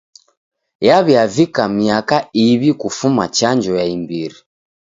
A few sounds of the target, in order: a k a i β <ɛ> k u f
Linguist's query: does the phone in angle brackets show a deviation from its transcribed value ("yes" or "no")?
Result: yes